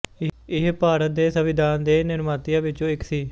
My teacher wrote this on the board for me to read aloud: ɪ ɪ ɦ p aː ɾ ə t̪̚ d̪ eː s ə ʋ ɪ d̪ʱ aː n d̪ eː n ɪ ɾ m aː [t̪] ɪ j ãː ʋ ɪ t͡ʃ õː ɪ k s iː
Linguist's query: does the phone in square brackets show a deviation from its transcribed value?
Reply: no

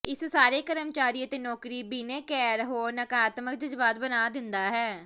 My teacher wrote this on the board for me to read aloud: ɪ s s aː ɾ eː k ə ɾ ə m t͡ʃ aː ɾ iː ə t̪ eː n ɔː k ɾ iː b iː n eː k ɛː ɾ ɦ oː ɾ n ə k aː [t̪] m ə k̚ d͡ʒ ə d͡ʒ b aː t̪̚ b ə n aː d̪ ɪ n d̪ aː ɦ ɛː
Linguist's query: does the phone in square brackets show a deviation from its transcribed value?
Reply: no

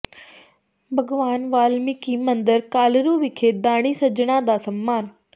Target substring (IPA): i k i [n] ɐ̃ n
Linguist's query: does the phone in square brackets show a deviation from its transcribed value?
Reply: yes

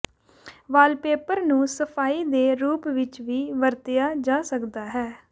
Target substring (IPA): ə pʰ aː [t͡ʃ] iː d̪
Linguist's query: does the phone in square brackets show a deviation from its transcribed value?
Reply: yes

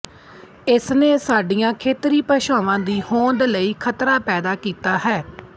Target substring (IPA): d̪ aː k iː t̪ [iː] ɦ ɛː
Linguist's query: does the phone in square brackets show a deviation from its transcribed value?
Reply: yes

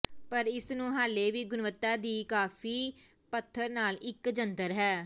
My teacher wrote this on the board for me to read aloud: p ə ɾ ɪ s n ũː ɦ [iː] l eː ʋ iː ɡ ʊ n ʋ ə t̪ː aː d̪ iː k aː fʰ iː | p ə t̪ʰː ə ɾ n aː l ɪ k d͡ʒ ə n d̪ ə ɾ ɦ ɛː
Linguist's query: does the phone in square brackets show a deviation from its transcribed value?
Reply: yes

